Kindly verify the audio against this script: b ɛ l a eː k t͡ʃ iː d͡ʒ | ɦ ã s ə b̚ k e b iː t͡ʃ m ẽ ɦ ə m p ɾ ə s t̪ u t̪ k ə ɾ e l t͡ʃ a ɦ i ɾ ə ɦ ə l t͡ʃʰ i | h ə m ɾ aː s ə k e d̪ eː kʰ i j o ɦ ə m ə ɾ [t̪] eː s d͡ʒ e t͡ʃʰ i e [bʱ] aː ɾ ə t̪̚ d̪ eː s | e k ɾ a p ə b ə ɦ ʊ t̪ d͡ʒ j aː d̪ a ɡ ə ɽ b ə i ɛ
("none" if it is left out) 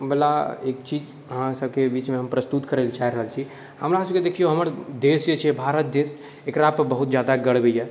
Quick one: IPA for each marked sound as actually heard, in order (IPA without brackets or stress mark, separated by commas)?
d̪, bʱ